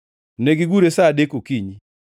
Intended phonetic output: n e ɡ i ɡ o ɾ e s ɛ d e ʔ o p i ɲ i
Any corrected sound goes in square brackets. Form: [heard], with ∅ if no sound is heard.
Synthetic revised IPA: n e ɡ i ɡ [u] ɾ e s [a] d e [k] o [k] i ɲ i